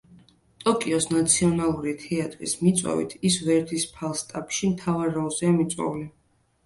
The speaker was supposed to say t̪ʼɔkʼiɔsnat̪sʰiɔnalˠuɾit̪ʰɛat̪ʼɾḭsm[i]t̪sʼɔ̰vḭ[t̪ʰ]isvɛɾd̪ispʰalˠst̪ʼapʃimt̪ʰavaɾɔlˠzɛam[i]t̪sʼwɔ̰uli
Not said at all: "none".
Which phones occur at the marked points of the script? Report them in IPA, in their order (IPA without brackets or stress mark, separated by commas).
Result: i, t̪ʰ, i